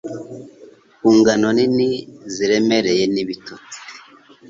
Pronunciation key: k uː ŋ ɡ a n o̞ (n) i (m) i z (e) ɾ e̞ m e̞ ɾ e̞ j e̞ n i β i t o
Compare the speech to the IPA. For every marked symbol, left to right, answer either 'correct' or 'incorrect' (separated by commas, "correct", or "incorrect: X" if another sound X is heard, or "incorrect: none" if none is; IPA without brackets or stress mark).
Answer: correct, incorrect: n, incorrect: i